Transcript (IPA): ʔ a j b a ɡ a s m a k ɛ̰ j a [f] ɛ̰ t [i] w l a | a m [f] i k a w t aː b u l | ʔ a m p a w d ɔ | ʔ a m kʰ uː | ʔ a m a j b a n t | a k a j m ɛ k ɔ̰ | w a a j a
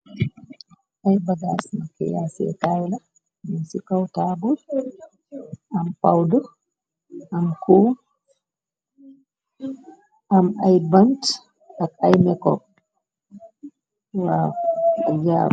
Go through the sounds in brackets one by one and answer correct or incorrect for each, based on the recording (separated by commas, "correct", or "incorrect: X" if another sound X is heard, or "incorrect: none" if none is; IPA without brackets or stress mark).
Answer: incorrect: s, incorrect: a, incorrect: s